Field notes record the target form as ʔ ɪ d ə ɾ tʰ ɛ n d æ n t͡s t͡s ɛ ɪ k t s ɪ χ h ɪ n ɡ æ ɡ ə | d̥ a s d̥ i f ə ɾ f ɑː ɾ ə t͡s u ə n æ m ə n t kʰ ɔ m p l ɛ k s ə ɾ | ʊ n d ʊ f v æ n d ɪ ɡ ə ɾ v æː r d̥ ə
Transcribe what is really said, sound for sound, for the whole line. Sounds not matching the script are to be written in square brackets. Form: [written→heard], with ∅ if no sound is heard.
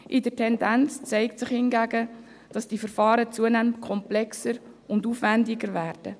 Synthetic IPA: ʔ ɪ d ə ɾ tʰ ɛ n d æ n t͡s t͡s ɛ ɪ k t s ɪ χ h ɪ n ɡ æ ɡ ə | d̥ [a→ɑ] s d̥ i f ə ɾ f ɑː ɾ ə t͡s u ə n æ m ə n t kʰ ɔ m p l ɛ k s ə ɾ | ʊ n d [ʊ→u] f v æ n d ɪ ɡ ə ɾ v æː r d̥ ə